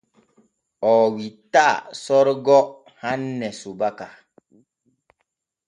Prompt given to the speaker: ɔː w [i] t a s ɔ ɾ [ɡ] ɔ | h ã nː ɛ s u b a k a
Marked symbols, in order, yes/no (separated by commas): yes, yes